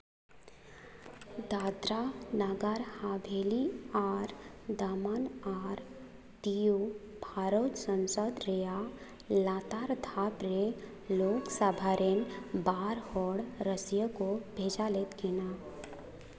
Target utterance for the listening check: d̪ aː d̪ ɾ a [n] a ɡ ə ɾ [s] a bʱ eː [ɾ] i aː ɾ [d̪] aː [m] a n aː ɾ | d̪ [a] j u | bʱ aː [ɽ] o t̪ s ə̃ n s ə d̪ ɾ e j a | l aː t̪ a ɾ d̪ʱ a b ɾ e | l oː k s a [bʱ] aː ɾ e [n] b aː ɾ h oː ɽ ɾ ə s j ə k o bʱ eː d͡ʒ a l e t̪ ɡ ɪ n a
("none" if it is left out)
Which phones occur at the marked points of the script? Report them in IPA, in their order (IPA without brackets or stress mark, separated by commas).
n, h, l, d̪, m, i, ɾ, bʱ, n